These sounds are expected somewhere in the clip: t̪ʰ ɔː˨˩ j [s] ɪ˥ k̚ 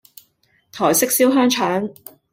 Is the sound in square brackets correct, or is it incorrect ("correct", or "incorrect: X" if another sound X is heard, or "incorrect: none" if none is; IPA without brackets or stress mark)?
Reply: correct